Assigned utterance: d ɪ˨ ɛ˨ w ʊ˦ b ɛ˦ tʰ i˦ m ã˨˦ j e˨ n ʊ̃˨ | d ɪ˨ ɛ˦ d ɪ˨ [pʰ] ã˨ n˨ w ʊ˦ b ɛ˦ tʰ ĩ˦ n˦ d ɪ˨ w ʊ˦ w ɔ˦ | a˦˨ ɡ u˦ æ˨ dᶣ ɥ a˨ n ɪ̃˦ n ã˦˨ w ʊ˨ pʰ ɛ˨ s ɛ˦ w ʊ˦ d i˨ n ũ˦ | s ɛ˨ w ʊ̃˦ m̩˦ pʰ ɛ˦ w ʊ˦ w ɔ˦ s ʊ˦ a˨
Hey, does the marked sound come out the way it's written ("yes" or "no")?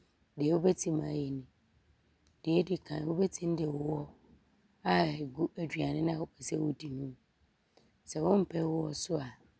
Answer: no